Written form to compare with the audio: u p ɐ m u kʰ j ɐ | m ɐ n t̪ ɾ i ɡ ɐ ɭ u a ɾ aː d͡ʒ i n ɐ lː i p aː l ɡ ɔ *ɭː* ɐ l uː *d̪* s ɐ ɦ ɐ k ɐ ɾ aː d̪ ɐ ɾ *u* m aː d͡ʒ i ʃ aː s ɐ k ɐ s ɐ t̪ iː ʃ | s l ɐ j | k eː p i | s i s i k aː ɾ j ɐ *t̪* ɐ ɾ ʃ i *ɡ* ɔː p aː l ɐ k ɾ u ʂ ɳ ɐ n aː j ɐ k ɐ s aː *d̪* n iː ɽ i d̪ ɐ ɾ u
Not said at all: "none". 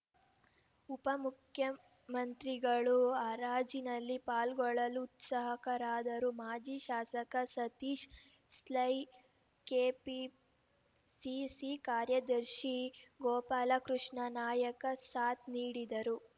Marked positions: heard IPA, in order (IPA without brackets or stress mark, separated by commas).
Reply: ɭ, t̪, u, d̪, ɡ, t̪